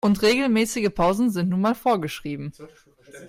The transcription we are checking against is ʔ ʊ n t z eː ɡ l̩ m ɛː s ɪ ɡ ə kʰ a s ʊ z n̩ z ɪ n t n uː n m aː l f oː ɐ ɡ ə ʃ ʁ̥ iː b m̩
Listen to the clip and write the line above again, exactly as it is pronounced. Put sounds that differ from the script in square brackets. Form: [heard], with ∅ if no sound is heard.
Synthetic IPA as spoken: ʔ ʊ n t [ʁ] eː ɡ l̩ m ɛː s ɪ ɡ ə [pʰ] a [∅] ʊ z n̩ z ɪ n t n uː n m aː l f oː ɐ ɡ ə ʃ ʁ̥ iː b m̩